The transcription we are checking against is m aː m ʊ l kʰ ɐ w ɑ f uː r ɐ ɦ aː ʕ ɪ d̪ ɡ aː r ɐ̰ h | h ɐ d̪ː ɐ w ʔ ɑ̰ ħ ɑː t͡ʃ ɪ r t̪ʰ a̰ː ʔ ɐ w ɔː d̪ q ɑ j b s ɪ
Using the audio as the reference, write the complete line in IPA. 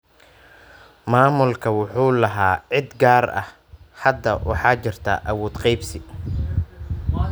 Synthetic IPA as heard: m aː m ʊ l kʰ ɐ w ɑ ħ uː l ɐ ɦ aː ʕ ɪ d̪ ɡ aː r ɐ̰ h | h ɐ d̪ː ɐ w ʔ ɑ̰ ħ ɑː t͡ʃ ɪ r t̪ʰ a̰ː ʔ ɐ w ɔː d̪ q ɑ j b s ɪ